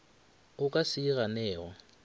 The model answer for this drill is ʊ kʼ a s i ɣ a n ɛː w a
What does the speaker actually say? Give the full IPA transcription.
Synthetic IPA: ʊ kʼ a s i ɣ a n ɛː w a